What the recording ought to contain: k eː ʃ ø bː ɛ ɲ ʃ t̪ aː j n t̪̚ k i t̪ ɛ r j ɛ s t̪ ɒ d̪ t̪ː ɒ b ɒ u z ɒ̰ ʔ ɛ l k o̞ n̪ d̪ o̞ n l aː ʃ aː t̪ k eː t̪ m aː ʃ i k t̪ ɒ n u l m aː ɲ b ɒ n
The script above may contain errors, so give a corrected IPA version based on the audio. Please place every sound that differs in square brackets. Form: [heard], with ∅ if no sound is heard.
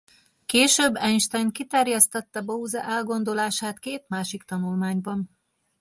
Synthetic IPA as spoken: k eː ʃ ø bː ɛ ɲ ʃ t̪ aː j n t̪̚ k i t̪ ɛ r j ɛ s t̪ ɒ [∅] t̪ː ɒ b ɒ u z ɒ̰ ʔ ɛ l [ɡ] o̞ n̪ d̪ o̞ [∅] l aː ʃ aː t̪ k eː t̪ m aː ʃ i k t̪ ɒ n u l m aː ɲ b ɒ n

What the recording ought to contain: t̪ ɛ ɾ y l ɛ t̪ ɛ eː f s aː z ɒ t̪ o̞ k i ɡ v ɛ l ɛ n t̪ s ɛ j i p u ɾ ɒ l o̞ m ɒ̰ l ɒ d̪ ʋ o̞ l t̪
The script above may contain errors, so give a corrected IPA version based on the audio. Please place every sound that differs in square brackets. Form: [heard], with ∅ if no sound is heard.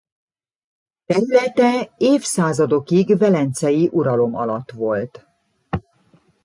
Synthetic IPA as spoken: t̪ ɛ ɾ y l ɛ t̪ ɛ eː f s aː z ɒ [d̪] o̞ k i ɡ v ɛ l ɛ n t̪ s ɛ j i [ʔ] u ɾ ɒ l o̞ m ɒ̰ l ɒ [t̪] ʋ o̞ l t̪

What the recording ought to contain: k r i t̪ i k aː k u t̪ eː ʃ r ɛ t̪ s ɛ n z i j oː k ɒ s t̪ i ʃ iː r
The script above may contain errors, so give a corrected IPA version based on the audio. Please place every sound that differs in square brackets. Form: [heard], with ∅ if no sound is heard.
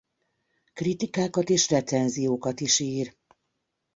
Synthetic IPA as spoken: k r i t̪ i k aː k [ɒ] t̪ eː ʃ r ɛ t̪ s ɛ n z i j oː k ɒ [∅] t̪ i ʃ iː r

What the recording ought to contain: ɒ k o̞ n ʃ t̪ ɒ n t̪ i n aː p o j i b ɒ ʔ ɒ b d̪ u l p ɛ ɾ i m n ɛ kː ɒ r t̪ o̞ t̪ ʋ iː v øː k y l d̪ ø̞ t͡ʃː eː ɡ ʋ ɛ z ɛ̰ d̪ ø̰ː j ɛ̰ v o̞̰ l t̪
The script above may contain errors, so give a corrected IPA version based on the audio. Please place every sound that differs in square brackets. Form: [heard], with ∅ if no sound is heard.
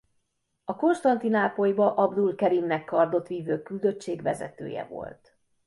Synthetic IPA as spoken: ɒ k o̞ n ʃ t̪ ɒ n t̪ i n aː p o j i b ɒ ʔ ɒ b d̪ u l [k] ɛ ɾ i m n ɛ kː ɒ r [d̪] o̞ t̪ ʋ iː v øː k y l d̪ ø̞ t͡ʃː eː ɡ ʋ ɛ z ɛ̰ [t̪] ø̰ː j ɛ̰ v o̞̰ l t̪

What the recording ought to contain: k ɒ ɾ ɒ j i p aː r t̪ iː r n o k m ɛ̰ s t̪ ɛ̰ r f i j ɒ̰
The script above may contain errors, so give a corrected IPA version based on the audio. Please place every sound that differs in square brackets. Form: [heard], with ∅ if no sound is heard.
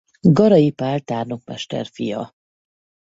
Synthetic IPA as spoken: [ɡ] ɒ ɾ ɒ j i p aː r t̪ [aː] r n o k m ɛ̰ [ʃ] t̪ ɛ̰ r f i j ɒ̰

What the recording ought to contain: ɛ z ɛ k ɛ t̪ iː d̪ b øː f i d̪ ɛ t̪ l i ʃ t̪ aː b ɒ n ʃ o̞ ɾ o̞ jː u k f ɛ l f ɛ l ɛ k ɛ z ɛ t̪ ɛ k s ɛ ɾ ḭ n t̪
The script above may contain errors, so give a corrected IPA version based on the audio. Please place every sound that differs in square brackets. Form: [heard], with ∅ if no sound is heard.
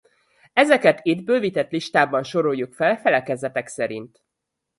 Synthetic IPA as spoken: ɛ z ɛ k ɛ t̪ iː d̪ b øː [v] i [t̪] ɛ t̪ l i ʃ t̪ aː b ɒ n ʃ o̞ ɾ o̞ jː u k f ɛ l f ɛ l ɛ k ɛ z ɛ t̪ ɛ k s ɛ ɾ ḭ n t̪

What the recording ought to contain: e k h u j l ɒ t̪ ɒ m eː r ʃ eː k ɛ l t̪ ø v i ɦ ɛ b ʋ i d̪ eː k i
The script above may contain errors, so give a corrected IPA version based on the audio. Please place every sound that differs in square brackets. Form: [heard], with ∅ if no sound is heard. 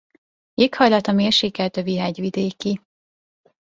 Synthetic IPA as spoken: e k h [ɒ] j l ɒ t̪ ɒ m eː r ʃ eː k ɛ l t̪ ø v i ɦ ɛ [ɟ] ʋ i d̪ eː k i

